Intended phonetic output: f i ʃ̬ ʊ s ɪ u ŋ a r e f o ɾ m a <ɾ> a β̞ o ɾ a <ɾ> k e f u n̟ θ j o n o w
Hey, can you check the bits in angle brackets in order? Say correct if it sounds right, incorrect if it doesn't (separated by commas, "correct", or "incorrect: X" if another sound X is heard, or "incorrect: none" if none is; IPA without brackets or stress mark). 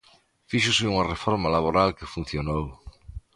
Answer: incorrect: l, incorrect: l